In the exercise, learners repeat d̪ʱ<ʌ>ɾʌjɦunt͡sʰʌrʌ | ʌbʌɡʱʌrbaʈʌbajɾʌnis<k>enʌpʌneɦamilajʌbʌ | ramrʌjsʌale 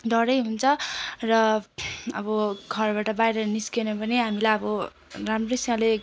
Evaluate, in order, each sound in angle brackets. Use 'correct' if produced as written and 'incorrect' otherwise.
correct, correct

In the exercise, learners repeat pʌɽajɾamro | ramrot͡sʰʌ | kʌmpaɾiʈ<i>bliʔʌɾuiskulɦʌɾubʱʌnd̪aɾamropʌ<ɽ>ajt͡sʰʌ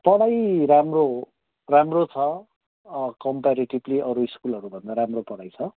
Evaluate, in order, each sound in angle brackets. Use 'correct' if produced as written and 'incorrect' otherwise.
correct, correct

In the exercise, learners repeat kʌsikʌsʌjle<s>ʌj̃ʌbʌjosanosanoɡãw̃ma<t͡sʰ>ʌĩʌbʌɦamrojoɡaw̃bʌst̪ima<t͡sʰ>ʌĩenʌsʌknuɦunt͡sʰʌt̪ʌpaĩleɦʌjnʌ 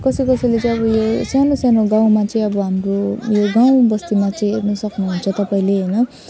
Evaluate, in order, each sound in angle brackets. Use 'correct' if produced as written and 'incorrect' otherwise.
incorrect, incorrect, incorrect

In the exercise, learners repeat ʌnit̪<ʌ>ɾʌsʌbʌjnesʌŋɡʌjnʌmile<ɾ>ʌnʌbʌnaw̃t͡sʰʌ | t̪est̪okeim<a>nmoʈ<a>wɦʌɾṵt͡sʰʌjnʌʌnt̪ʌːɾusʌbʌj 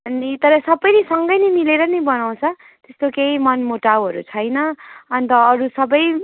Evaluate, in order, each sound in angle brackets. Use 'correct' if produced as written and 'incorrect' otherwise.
correct, correct, incorrect, correct

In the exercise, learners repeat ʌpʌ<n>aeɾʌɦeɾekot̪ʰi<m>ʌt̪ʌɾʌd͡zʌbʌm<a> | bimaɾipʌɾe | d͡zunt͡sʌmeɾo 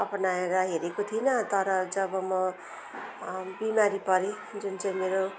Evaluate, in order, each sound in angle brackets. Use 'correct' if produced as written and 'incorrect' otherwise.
correct, incorrect, incorrect

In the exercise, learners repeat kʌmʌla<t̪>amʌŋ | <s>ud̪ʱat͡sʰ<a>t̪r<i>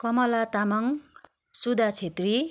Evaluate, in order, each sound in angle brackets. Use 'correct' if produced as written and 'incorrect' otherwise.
correct, correct, incorrect, correct

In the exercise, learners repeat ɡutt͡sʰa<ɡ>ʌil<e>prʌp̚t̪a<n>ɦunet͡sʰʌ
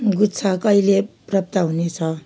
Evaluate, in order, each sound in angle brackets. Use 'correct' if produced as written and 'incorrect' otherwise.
incorrect, correct, incorrect

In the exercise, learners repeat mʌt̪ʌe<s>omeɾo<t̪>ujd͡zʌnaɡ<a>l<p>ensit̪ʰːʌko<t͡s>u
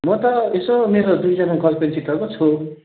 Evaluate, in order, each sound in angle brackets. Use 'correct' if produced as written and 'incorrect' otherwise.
correct, incorrect, incorrect, correct, incorrect

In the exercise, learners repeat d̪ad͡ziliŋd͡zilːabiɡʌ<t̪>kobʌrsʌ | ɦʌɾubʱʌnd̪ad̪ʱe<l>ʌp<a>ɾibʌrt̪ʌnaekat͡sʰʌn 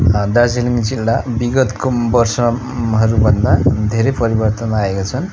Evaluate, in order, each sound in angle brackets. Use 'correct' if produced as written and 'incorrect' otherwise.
correct, incorrect, incorrect

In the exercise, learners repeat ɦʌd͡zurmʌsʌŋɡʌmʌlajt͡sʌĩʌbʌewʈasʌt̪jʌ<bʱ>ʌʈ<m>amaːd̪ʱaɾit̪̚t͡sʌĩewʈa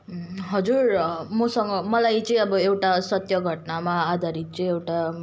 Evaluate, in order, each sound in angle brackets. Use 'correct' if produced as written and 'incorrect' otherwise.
incorrect, incorrect

